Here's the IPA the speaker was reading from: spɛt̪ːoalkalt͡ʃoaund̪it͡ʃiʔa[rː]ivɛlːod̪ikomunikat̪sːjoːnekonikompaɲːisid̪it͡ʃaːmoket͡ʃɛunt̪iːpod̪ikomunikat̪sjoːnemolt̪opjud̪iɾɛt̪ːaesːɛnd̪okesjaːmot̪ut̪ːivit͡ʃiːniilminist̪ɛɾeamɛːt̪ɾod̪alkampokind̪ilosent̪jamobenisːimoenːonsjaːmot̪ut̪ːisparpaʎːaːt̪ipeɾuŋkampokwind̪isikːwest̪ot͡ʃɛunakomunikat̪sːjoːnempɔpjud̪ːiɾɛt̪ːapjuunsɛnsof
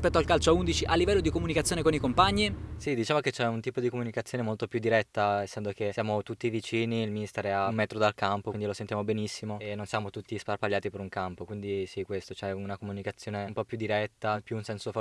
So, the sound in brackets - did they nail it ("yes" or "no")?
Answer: no